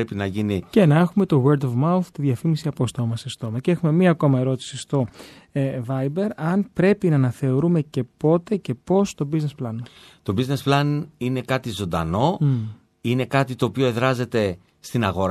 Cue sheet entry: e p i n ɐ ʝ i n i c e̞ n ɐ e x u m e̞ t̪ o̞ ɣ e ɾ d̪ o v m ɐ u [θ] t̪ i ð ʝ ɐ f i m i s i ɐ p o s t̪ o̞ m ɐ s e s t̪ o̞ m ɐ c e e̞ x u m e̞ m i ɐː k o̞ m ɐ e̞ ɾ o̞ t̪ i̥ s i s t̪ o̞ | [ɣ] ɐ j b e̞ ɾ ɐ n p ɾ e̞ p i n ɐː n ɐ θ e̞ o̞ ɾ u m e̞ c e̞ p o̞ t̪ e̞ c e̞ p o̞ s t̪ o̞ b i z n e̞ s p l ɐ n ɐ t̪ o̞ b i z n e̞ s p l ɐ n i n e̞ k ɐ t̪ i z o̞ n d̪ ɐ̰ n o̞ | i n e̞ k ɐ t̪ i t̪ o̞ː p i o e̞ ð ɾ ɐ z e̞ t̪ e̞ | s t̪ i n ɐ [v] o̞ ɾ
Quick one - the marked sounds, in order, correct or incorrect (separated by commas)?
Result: correct, incorrect, incorrect